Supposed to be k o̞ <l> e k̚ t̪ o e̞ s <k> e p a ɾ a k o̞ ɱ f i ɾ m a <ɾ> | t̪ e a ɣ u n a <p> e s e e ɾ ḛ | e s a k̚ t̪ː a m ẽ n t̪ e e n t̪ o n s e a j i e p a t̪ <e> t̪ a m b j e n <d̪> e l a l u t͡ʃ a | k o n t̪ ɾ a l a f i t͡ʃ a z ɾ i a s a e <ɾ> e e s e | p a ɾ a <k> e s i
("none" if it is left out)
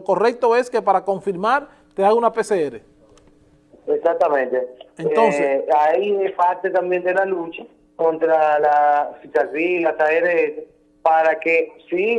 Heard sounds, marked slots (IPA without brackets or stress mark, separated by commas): r, k, ɾ, p, e, d̪, ɾ, k